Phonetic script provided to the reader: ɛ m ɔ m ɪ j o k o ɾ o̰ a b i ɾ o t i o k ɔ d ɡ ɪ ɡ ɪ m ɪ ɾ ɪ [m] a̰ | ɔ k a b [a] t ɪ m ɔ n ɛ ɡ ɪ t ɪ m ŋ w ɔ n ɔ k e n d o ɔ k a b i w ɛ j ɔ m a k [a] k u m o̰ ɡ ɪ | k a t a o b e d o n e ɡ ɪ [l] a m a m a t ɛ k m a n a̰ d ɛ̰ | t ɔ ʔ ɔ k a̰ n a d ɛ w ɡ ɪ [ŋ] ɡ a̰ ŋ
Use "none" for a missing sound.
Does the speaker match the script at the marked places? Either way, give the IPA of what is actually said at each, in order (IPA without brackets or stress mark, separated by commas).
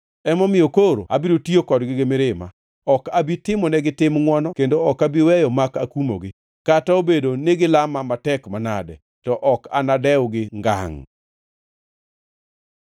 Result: m, i, a, l, ŋ